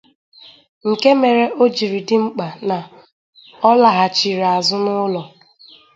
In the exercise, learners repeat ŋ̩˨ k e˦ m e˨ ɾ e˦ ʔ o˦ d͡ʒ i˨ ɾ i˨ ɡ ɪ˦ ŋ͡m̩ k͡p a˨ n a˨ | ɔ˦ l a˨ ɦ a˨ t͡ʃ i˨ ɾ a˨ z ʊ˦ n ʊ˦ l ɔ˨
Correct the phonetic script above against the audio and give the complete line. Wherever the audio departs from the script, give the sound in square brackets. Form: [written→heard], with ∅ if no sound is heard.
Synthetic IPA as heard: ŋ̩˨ k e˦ m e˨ ɾ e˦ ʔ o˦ d͡ʒ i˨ ɾ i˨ [ɡ→d] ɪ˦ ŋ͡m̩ k͡p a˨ n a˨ | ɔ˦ l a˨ ɦ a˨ t͡ʃ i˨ ɾ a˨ z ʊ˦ n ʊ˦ l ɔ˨